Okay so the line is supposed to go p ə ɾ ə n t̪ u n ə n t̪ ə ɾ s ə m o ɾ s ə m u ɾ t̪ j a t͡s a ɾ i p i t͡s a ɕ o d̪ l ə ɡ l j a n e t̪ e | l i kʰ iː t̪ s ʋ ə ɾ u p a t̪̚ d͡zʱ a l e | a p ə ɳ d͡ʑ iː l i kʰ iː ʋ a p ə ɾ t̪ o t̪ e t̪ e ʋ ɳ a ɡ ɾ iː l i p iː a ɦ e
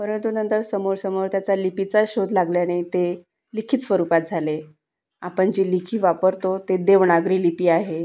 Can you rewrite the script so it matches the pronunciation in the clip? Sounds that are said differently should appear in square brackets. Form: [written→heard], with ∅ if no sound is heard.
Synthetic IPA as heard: p ə ɾ ə n t̪ u n ə n t̪ ə ɾ s ə m o ɾ s ə m [u→o] ɾ t̪ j a t͡s a [ɾ→l] i p i t͡s a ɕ o d̪ l [ə→a] ɡ l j a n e t̪ e | l i kʰ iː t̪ s ʋ ə ɾ u p a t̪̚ d͡zʱ a l e | a p ə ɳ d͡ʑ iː l i kʰ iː ʋ a p ə ɾ t̪ o t̪ e [t̪→d̪] e ʋ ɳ a ɡ ɾ iː l i p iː a ɦ e